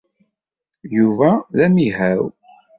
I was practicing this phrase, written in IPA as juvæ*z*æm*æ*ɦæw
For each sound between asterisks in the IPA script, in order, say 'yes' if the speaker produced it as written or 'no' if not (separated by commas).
no, no